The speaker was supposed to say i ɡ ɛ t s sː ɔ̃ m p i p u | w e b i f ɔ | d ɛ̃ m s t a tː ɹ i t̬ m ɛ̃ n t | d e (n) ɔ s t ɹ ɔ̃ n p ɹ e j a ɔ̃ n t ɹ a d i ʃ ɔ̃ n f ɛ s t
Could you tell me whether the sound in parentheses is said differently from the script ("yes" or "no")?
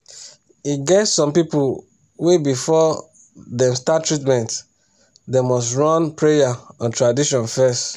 yes